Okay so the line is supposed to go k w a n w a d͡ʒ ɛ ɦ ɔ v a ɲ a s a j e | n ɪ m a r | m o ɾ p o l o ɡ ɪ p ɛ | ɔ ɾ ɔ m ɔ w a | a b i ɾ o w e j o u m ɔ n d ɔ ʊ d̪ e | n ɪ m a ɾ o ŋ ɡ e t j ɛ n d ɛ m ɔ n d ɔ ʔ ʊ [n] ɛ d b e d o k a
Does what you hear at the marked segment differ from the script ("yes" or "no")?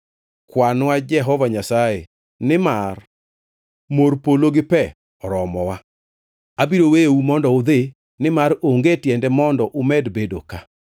yes